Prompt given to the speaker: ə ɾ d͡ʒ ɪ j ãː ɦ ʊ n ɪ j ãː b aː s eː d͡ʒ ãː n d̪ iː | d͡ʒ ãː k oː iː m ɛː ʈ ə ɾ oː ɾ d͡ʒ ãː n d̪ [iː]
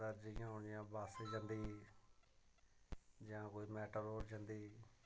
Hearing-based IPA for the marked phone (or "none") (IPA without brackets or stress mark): iː